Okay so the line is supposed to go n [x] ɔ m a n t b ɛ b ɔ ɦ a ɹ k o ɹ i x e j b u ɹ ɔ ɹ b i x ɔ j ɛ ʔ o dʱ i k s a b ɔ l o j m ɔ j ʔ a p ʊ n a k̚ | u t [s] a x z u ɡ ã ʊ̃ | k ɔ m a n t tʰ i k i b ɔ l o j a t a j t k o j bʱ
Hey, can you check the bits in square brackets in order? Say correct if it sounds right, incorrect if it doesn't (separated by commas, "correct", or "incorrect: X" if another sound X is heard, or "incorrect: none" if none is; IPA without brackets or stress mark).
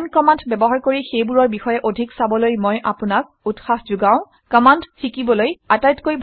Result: incorrect: k, incorrect: x